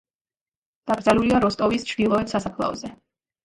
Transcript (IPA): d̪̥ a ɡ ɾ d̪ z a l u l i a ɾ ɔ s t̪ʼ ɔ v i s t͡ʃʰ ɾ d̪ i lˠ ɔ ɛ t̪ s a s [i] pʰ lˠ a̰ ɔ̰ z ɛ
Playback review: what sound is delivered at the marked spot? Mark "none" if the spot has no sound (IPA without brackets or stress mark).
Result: a